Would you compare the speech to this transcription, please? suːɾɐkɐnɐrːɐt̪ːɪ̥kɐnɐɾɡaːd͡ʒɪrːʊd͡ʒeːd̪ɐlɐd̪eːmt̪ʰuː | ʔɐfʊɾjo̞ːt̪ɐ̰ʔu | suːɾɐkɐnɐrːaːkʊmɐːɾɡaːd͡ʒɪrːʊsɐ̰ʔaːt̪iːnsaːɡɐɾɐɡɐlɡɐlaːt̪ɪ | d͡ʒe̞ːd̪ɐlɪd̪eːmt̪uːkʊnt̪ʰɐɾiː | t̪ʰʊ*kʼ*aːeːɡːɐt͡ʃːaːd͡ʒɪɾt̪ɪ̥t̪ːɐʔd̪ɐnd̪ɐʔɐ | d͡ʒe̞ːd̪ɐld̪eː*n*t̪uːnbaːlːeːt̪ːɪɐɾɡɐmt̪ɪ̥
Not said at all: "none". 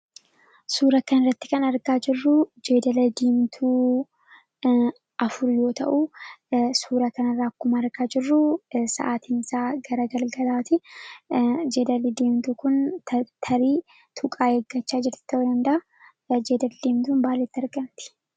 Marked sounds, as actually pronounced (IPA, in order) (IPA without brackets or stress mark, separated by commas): kʼ, m